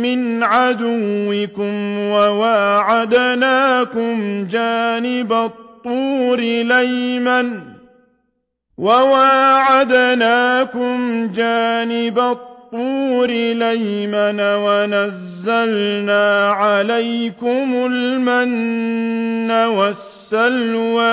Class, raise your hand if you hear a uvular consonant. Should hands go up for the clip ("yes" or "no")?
no